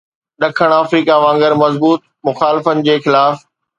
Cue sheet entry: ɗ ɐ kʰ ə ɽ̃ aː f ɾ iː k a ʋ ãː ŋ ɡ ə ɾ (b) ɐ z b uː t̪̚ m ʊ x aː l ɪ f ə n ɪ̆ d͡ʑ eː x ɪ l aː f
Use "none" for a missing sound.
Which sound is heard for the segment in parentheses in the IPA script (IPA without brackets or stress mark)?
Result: m